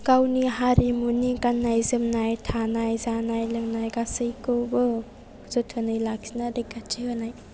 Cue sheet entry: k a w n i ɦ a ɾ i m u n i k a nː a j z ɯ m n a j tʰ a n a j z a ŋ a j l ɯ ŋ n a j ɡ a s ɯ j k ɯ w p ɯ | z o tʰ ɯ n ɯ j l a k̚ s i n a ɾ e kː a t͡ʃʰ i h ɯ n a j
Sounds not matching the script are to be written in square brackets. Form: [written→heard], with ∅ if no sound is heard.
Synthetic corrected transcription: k a w n i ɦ a ɾ i m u n i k a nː a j z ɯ m n a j tʰ a n a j z a [ŋ→n] a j l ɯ ŋ n a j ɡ a s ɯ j k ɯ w [p→b] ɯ | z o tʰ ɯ n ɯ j l a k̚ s i n a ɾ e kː a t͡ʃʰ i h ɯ n a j